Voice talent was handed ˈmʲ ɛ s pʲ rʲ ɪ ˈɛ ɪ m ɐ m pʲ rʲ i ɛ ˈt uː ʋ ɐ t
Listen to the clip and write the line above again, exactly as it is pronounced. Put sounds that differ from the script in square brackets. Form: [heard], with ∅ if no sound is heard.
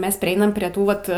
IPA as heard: ˈmʲ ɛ s pʲ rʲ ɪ ˈɛ ɪ [n] ɐ m pʲ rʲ i ɛ ˈt uː ʋ ɐ t